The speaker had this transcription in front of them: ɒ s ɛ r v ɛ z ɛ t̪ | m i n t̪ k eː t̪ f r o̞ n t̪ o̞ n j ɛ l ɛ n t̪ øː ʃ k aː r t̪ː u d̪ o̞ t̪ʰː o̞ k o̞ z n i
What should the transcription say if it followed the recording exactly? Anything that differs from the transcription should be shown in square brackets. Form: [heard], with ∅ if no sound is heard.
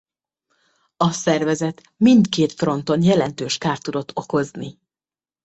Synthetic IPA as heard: ɒ s ɛ r v ɛ z ɛ t̪ | m i n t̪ k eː t̪ f r o̞ n t̪ o̞ n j ɛ l ɛ n t̪ øː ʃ k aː r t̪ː u d̪ o̞ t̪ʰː o̞ k o̞ z n i